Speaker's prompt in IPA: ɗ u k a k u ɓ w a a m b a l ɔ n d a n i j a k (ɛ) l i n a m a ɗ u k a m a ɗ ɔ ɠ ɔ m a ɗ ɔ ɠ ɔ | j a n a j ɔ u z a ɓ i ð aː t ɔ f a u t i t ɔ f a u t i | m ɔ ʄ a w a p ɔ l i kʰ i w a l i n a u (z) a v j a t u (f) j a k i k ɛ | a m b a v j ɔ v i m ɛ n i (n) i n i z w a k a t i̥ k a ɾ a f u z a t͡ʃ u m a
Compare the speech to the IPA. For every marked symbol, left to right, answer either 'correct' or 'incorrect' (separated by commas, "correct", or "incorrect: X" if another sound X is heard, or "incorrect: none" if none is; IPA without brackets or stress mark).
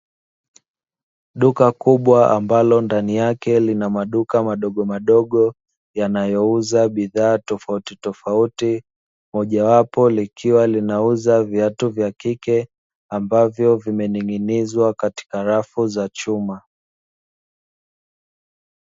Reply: correct, correct, incorrect: v, incorrect: ŋ